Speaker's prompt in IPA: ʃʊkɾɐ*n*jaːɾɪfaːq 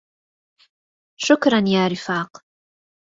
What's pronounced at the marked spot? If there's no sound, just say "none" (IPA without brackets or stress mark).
n